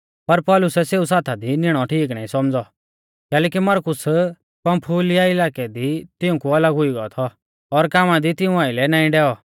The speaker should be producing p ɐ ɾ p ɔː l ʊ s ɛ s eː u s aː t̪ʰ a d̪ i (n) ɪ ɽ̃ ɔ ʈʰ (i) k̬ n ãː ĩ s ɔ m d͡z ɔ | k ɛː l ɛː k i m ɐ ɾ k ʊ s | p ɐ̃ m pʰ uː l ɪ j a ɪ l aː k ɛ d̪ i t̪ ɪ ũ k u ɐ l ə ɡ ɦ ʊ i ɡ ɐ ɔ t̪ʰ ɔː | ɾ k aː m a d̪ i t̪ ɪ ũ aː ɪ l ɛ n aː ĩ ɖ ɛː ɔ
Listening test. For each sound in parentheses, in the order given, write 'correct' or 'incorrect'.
correct, incorrect

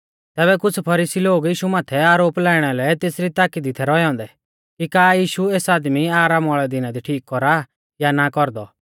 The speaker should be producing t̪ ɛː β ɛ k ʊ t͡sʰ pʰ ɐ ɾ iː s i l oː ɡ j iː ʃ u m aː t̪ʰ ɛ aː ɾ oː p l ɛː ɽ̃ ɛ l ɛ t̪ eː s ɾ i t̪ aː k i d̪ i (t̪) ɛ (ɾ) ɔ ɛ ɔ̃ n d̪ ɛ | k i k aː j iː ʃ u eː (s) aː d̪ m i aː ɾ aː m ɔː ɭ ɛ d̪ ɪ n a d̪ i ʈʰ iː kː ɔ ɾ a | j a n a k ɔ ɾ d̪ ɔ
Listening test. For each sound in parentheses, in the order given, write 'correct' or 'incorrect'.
incorrect, correct, correct

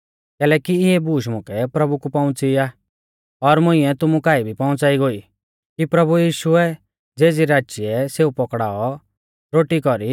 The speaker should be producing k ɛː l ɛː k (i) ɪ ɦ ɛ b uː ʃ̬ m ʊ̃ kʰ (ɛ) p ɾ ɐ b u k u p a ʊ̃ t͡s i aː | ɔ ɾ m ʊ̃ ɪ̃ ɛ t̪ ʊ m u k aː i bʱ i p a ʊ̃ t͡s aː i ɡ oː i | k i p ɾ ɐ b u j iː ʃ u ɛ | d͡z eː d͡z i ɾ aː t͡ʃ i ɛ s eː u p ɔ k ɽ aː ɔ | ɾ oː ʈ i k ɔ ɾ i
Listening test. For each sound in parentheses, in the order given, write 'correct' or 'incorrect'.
correct, correct

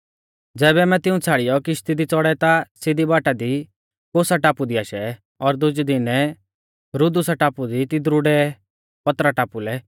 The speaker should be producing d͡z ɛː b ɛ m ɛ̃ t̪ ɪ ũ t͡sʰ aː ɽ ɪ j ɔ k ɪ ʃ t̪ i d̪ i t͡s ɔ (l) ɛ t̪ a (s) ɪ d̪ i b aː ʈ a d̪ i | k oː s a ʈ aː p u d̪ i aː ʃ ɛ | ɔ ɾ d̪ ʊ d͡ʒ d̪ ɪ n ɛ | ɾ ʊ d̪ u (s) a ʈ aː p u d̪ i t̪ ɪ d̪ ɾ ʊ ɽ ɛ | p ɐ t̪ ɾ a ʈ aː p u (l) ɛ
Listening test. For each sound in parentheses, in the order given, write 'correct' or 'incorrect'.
incorrect, correct, correct, correct

